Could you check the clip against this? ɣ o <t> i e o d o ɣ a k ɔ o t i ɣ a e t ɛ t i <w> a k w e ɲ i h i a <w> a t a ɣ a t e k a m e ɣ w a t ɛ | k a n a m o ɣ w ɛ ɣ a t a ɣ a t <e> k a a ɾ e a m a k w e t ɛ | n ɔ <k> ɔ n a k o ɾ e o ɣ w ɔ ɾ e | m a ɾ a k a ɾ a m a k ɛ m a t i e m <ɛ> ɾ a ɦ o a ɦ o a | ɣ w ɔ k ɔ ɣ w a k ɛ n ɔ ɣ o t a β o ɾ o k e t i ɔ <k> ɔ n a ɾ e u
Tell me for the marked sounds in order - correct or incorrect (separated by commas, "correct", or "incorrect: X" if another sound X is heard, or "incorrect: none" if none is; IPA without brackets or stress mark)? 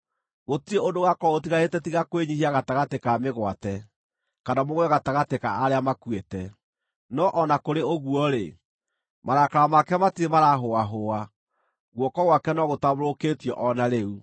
correct, incorrect: ɣ, incorrect: ɣ, correct, incorrect: ʔ, incorrect: a, incorrect: ʔ